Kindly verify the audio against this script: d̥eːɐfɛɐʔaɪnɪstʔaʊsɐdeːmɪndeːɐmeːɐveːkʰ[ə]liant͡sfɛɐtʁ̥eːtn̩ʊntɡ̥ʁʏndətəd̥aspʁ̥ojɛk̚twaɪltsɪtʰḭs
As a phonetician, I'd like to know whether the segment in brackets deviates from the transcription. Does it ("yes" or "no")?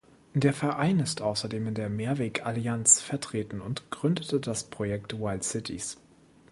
yes